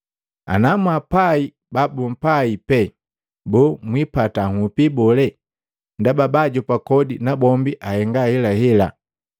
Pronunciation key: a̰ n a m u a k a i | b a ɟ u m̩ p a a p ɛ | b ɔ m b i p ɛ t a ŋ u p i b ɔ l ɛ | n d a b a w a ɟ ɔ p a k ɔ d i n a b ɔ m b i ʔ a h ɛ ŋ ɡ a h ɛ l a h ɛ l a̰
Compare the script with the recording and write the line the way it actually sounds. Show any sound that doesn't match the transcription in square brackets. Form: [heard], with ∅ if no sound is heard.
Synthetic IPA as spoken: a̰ n a m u a [p] a i | b a [b] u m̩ p a [i] p ɛ | b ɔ m [w] i p [a] t a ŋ u p i b ɔ l ɛ | n d a b a [b] a ɟ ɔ p a k ɔ d i n a b ɔ m b i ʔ a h ɛ ŋ ɡ a h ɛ l a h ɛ l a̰